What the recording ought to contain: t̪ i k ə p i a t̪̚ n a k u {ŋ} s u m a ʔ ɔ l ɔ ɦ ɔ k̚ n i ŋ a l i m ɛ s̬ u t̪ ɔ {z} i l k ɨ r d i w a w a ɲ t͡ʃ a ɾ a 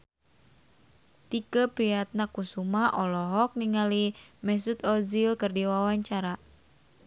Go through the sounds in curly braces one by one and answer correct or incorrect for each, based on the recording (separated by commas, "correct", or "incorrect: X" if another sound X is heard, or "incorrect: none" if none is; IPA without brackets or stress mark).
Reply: incorrect: none, correct